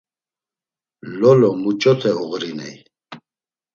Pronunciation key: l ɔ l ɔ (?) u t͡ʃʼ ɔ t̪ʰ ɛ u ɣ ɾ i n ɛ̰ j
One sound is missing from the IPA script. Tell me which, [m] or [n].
m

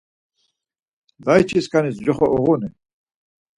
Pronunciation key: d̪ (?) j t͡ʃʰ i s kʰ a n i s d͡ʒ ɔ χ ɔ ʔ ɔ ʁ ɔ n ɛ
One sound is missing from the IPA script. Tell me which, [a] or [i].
a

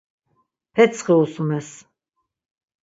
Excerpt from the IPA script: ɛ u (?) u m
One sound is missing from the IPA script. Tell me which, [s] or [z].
s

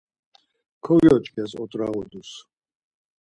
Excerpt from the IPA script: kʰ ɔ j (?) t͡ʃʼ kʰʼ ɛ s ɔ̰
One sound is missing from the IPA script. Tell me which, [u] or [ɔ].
ɔ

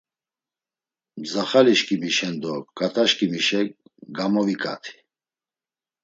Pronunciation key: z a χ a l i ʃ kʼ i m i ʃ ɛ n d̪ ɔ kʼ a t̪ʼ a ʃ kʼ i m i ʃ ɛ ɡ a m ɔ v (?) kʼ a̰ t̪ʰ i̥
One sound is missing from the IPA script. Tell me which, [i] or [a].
i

